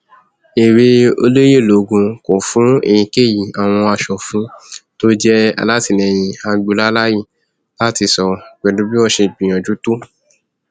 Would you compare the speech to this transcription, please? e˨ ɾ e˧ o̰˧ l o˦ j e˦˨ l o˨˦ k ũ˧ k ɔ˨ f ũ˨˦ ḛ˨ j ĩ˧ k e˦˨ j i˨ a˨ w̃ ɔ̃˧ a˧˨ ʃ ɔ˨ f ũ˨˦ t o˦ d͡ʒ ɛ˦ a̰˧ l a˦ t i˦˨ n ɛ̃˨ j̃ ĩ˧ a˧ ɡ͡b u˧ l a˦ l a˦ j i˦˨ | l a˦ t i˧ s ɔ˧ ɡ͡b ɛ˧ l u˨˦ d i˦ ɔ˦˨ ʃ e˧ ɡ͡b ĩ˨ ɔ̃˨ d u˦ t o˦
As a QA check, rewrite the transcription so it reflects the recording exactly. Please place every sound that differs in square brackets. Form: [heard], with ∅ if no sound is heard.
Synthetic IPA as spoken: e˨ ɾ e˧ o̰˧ l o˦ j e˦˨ l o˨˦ [ɡ] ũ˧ k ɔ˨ f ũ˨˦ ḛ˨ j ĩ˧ k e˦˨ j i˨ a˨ w̃ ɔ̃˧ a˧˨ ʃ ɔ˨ f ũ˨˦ t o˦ d͡ʒ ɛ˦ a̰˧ l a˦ t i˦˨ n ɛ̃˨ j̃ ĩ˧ a˧ ɡ͡b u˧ l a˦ l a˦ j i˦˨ | l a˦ t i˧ s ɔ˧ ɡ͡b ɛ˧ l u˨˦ [b] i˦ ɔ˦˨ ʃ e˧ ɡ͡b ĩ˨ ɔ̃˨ [d͡ʒ] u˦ t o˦